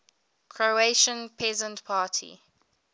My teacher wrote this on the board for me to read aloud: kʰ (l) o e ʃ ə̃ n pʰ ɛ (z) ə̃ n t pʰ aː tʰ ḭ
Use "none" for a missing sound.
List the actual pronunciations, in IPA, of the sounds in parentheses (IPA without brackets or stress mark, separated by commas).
ɹ, z